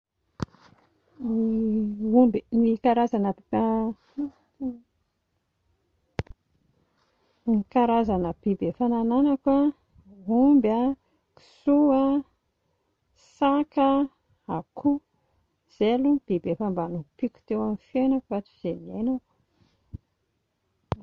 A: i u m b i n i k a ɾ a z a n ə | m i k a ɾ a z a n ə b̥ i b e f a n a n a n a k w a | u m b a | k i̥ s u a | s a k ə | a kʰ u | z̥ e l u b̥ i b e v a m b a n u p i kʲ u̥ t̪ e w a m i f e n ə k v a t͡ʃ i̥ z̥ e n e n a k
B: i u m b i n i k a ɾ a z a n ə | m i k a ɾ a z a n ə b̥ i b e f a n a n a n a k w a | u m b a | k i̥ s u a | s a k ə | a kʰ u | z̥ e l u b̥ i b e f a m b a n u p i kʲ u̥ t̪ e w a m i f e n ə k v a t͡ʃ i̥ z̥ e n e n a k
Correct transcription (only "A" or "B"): B